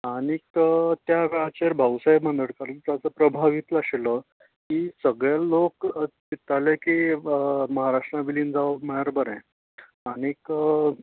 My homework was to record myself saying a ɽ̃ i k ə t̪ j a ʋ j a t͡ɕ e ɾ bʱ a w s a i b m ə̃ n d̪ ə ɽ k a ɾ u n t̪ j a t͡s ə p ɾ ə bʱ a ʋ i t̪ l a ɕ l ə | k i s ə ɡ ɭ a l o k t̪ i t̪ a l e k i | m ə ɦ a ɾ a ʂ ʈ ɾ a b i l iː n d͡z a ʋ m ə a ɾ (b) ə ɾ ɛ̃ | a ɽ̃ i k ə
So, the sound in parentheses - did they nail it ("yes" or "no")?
yes